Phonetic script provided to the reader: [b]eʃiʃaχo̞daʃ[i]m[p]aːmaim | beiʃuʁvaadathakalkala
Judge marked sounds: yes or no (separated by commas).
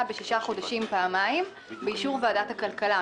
yes, yes, yes